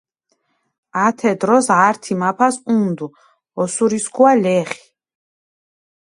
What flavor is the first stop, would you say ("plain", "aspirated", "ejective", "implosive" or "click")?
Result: aspirated